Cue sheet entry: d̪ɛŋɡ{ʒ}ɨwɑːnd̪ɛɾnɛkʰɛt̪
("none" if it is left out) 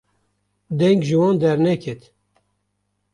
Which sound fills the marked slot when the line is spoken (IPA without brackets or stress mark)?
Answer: ʒ